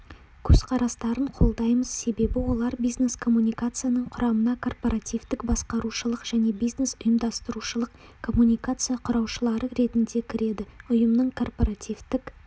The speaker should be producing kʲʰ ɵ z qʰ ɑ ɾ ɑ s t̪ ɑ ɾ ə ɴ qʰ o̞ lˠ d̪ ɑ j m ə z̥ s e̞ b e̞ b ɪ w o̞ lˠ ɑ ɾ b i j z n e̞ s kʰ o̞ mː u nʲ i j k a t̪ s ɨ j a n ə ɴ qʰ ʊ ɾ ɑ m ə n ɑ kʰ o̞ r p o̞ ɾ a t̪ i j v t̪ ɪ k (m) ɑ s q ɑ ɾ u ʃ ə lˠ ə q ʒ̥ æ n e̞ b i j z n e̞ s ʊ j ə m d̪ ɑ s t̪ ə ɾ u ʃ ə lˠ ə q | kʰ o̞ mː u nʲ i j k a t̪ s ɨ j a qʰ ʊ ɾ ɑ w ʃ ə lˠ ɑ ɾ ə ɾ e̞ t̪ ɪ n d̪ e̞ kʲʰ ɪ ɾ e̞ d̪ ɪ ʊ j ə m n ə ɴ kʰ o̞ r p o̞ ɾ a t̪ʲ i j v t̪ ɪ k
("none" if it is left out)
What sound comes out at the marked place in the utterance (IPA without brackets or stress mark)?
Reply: b